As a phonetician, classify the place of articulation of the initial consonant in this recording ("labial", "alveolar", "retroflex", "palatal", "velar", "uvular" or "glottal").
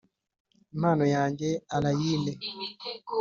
labial